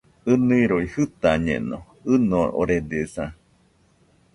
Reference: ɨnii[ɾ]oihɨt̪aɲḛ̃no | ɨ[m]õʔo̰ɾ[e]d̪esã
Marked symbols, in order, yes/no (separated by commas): yes, no, yes